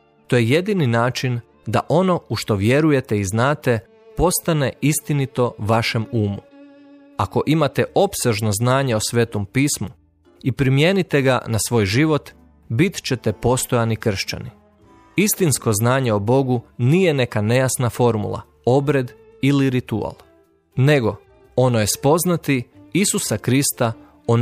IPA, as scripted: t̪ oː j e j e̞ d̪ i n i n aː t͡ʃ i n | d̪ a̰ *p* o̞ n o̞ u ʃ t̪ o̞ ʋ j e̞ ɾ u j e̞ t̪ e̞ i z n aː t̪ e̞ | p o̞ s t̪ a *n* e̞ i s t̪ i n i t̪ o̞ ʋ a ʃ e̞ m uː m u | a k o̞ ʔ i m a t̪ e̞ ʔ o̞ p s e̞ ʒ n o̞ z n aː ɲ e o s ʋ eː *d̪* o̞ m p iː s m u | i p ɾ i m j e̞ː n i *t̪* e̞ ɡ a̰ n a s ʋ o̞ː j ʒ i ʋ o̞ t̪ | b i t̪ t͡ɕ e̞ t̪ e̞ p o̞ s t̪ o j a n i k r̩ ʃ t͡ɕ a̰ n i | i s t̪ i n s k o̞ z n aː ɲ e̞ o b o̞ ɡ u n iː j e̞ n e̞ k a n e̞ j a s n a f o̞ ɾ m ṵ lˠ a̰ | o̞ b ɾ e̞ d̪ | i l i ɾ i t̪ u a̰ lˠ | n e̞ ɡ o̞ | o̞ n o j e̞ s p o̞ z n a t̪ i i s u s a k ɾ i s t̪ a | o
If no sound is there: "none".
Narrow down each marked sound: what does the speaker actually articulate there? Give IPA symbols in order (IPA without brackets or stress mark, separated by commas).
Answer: ʔ, n, t̪, t̪